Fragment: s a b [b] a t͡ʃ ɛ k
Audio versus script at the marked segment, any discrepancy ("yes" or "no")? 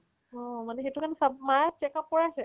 yes